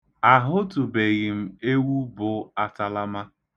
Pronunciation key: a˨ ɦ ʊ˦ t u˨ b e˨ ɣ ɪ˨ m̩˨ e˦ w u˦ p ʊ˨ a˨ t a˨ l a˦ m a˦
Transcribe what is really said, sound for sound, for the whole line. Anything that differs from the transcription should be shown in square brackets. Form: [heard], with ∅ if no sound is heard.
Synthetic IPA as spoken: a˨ ɦ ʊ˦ t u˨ b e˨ ɣ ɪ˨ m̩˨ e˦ w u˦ [b] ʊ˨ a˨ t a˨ l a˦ m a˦